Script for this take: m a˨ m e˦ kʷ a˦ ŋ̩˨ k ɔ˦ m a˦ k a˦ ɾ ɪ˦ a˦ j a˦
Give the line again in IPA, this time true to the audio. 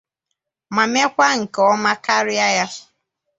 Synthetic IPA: m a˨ m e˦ kʷ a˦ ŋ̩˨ k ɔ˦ m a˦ k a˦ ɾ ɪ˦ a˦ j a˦